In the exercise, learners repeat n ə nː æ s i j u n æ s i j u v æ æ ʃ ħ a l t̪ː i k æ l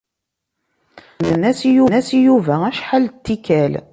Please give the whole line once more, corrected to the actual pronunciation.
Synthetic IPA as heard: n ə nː æ s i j u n æ s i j u v æ æ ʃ ħ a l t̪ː i k æ l